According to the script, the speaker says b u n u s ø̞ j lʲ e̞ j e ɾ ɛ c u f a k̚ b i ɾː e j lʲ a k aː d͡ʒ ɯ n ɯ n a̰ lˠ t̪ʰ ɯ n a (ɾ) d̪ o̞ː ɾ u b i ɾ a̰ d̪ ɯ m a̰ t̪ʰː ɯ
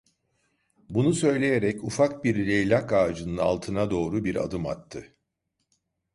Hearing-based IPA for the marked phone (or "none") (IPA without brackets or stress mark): none